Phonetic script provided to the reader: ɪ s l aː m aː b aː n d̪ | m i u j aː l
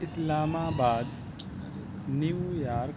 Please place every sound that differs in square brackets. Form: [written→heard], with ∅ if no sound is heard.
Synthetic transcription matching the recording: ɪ s l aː m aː b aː [n→∅] d̪ | [m→n] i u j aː [l→ɾ]